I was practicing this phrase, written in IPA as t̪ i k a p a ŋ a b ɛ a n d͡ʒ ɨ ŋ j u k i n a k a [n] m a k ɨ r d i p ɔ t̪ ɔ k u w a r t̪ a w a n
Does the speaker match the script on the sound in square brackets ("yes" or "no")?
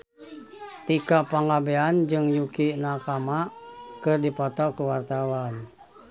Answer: no